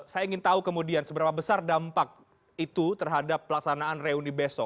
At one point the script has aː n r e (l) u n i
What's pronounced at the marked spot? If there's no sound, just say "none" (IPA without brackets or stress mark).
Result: none